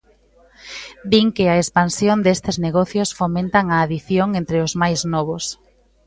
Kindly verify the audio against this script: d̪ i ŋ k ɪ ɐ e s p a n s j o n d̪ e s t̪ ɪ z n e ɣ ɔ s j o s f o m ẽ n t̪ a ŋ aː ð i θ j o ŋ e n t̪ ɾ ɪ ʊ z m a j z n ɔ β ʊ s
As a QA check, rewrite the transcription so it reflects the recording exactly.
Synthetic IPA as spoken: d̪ i ŋ k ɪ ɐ e s p a n s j o n d̪ e s t̪ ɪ z n e ɣ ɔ θ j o s f o m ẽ n t̪ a ŋ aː ð i θ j o ŋ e n t̪ ɾ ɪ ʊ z m a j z n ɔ β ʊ s